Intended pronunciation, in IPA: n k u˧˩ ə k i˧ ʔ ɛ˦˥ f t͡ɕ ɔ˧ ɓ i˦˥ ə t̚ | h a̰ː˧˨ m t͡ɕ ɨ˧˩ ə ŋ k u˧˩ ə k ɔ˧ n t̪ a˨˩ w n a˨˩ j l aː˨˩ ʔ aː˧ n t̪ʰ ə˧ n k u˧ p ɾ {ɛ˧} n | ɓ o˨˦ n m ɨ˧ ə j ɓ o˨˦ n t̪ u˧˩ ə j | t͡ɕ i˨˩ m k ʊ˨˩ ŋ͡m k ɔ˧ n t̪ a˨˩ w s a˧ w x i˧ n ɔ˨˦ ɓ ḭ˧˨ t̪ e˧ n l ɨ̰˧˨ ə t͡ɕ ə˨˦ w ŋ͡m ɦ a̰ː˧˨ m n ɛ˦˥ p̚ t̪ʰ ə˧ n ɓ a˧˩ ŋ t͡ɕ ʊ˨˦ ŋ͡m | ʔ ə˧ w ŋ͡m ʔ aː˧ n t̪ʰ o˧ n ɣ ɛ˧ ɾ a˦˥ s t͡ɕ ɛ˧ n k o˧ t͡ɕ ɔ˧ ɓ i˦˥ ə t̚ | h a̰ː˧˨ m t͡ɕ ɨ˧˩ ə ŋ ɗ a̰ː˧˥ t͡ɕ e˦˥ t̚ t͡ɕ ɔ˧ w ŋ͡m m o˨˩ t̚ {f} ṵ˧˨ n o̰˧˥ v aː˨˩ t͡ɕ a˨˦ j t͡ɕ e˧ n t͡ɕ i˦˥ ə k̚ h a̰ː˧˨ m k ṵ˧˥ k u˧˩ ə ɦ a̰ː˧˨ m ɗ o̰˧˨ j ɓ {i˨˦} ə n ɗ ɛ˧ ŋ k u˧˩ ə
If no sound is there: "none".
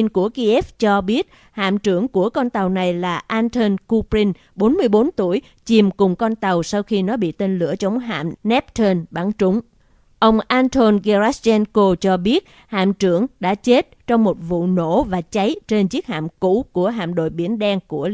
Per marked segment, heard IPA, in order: i˧, v, i˧˩

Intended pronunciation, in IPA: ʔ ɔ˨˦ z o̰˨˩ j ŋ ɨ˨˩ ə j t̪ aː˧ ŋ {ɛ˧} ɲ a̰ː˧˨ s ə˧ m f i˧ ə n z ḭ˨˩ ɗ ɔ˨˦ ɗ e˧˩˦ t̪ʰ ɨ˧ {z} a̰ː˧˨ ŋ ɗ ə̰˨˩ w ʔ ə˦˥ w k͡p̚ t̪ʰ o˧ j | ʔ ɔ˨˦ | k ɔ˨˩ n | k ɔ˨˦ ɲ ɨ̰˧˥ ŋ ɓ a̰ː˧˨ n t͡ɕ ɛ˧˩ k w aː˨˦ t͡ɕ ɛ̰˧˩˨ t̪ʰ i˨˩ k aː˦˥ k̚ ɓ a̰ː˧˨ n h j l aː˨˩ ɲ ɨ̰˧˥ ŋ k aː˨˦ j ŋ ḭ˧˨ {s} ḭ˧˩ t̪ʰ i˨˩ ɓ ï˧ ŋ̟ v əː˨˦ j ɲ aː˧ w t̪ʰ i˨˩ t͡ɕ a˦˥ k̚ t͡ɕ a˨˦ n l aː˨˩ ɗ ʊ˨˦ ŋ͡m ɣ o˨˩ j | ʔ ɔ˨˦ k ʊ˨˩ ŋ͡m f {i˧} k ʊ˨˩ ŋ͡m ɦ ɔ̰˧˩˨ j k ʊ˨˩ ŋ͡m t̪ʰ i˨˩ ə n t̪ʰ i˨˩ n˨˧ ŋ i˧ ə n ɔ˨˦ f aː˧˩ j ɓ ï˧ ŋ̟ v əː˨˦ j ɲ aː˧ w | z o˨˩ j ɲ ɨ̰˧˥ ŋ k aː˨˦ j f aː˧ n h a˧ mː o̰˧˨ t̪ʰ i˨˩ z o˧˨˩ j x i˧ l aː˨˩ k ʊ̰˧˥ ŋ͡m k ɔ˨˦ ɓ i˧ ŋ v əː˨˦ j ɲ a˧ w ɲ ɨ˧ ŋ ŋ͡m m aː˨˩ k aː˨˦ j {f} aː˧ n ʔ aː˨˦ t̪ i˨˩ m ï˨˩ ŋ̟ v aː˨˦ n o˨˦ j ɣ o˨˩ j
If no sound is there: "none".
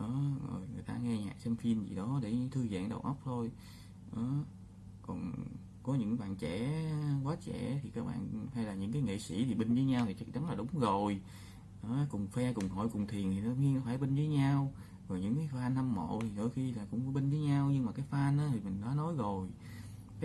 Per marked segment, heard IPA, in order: ɛ˧, z, s, ɛ˧, f

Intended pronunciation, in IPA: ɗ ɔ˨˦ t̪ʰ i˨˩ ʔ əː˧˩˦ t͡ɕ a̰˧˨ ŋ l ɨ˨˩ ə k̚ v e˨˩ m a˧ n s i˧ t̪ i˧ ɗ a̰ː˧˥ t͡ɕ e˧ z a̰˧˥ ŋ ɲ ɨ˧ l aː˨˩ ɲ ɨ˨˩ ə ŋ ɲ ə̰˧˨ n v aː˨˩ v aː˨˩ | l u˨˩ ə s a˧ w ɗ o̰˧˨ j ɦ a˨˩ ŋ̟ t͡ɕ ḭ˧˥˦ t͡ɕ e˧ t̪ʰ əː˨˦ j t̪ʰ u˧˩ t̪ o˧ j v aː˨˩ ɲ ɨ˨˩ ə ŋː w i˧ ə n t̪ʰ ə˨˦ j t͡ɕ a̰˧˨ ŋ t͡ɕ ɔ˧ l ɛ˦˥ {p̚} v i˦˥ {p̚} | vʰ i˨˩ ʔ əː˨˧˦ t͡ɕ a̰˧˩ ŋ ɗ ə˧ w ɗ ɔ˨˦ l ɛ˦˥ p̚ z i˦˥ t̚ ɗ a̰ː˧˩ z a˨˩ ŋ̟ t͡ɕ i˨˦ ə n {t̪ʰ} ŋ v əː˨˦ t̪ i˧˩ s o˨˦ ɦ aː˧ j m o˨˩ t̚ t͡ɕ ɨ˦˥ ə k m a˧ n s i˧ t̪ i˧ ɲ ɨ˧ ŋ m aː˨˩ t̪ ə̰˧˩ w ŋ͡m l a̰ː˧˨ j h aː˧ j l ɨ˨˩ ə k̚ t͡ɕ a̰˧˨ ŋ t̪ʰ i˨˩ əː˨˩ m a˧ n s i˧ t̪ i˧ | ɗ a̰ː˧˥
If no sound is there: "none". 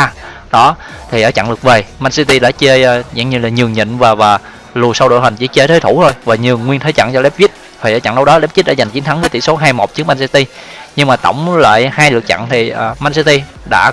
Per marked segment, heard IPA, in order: p̚, t̚, t̪ʰ

